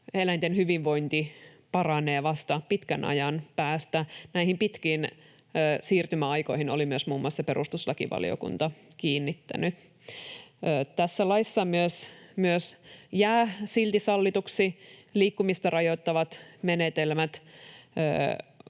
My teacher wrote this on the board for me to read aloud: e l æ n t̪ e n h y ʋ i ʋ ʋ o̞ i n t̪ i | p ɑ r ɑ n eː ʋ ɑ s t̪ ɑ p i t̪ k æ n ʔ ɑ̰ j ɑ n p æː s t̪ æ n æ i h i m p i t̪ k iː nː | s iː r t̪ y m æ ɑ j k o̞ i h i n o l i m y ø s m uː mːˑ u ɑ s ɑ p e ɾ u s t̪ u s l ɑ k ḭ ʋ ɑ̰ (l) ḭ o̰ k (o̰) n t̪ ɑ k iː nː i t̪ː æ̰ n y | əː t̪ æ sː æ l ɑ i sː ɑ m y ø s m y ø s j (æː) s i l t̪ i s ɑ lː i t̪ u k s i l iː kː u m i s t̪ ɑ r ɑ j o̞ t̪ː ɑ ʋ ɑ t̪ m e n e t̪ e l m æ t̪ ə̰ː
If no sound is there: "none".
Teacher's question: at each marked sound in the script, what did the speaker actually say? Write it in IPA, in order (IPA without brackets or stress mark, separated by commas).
l, ṵ, æː